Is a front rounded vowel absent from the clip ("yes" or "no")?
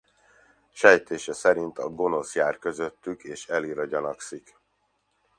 no